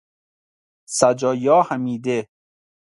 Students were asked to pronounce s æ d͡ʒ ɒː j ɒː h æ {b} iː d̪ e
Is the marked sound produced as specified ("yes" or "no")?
no